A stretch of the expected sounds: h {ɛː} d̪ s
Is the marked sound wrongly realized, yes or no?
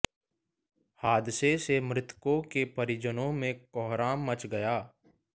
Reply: yes